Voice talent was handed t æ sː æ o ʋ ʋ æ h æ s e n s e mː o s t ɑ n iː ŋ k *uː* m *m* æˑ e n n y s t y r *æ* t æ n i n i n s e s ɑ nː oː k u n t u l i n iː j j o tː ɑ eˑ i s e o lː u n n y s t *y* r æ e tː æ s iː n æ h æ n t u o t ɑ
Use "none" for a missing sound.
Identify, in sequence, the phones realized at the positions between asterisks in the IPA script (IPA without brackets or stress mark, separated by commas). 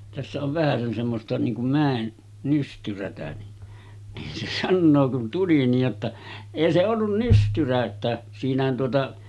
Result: u, m, æ, y